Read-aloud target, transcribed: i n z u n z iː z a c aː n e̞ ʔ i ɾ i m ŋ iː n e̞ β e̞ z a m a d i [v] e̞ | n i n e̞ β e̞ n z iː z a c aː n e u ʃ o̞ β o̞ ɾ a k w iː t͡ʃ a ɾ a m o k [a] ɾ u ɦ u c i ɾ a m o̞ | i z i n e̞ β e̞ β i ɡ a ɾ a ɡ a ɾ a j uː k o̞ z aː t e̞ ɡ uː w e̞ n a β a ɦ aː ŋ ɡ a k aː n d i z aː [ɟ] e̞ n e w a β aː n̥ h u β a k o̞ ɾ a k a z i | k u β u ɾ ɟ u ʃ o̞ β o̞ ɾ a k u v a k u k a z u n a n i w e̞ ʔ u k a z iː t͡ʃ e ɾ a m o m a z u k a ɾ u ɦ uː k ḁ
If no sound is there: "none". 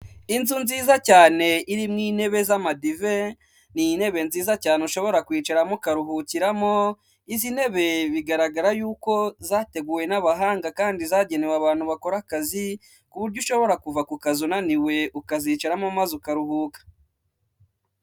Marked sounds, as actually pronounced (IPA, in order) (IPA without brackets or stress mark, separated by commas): v, a, ɟ